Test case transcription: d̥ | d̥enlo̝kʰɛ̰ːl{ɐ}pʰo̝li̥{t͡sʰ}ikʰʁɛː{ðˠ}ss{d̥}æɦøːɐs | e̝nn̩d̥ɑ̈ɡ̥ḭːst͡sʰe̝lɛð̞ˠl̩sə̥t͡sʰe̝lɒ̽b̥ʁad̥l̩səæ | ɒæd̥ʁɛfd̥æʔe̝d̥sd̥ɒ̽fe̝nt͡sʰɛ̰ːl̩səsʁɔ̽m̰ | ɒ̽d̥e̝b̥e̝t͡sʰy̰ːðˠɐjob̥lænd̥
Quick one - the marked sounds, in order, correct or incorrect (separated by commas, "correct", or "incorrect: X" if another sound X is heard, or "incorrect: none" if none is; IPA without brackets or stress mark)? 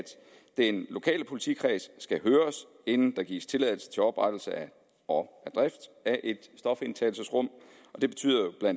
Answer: incorrect: ə, correct, incorrect: none, incorrect: ɡ̥